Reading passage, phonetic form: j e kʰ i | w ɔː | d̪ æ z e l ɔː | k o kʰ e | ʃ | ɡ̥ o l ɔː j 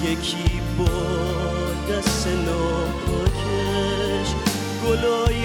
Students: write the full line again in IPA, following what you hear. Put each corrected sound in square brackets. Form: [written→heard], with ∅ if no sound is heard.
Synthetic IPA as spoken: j e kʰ i | [w→b] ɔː | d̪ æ [z→s] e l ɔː | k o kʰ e | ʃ | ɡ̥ o l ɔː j